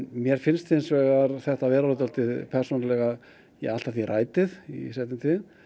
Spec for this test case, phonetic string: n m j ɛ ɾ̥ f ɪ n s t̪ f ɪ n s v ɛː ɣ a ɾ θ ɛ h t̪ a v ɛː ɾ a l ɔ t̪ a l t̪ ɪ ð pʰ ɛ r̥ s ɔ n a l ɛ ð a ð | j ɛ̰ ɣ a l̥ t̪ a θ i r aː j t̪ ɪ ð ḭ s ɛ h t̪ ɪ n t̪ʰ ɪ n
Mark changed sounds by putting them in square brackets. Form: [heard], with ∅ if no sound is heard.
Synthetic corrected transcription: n m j ɛ ɾ̥ f ɪ n s t̪ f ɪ n s v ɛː ɣ a ɾ θ ɛ h t̪ a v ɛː ɾ a l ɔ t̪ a l t̪ ɪ ð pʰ ɛ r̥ s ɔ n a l ɛ [ɣ] a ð | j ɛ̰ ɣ a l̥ t̪ a θ i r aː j t̪ ɪ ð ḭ s ɛ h t̪ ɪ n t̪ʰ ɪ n

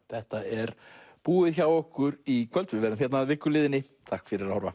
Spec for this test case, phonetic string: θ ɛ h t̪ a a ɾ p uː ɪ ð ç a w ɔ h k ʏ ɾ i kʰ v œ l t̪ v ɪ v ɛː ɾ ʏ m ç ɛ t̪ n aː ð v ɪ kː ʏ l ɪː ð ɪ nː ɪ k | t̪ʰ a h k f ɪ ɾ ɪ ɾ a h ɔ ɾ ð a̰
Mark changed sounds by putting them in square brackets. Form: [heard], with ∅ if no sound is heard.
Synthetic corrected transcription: θ ɛ h t̪ a [ɛ] ɾ p uː ɪ ð ç a w ɔ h k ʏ ɾ i kʰ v œ l t̪ v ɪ v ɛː ɾ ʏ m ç ɛ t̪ n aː ð v ɪ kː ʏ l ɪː ð ɪ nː ɪ [∅] | t̪ʰ a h k f ɪ ɾ ɪ ɾ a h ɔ ɾ [v] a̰

